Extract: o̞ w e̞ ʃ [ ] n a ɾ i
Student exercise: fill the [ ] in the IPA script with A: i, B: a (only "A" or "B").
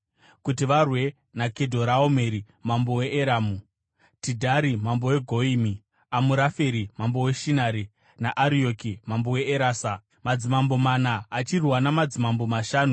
A